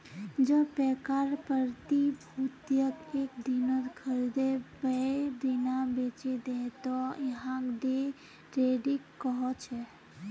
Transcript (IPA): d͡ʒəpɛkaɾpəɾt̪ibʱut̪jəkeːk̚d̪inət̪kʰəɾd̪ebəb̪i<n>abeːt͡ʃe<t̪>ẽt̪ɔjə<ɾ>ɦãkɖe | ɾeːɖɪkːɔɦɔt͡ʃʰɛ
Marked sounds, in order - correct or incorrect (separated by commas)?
correct, incorrect, incorrect